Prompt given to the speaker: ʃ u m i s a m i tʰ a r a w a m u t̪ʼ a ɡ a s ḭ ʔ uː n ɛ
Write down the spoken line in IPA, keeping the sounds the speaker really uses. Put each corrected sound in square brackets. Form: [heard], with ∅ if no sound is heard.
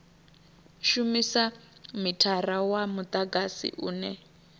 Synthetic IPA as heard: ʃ u m i s a m i tʰ a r a w a m u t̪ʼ a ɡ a s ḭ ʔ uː n ɛ

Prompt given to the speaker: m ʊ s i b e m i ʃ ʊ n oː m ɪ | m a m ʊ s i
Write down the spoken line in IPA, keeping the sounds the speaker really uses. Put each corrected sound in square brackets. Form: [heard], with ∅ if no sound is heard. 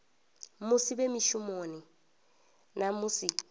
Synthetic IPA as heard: m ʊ s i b e m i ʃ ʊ [m] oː [n] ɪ | [n] a m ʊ s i

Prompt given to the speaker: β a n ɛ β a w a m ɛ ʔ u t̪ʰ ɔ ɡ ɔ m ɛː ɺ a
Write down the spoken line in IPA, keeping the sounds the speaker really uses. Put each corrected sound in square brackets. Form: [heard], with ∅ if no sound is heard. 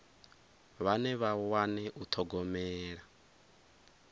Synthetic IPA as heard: β a n ɛ β a w a [n] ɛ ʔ u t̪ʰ ɔ ɡ ɔ m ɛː ɺ a

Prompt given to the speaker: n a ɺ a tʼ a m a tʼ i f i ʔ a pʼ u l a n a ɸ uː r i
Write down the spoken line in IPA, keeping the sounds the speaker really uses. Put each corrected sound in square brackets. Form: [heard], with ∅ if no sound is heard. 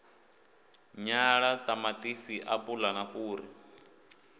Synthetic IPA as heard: [ɲ] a ɺ a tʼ a m a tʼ i [s] i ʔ a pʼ u l a n a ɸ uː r i

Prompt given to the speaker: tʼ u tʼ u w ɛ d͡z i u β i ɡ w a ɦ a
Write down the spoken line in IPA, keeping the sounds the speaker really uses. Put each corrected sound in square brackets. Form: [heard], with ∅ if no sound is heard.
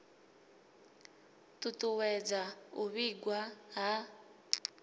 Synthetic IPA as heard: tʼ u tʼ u w ɛ d͡z [a] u β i ɡ w a ɦ a

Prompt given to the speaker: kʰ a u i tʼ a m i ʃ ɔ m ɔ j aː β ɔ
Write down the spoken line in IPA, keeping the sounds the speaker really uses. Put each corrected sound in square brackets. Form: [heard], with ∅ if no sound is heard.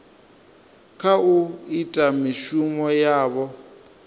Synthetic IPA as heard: kʰ a u i tʼ a m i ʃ [u] m ɔ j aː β ɔ

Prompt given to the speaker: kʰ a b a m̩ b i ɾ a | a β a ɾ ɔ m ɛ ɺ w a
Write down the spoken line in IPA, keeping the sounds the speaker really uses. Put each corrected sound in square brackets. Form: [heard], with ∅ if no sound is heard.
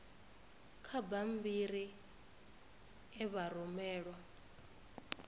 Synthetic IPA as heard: kʰ a b a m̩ b i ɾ [i] | [ɛ] β a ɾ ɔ m [ɛː] ɺ w a

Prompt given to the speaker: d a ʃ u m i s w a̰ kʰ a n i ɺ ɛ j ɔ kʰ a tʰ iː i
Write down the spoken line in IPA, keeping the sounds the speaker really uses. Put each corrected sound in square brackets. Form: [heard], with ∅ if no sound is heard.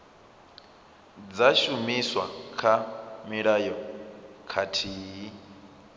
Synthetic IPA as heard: [d͡z] a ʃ u m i s w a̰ kʰ a [m] i ɺ [a] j ɔ kʰ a tʰ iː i

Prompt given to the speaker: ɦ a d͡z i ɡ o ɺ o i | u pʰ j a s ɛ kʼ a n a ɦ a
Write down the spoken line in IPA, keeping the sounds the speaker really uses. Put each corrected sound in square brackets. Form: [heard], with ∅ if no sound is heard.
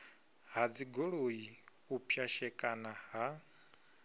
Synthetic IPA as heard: ɦ a d͡z i ɡ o ɺ o i | u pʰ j a [ʃ] ɛ kʼ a n a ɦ a

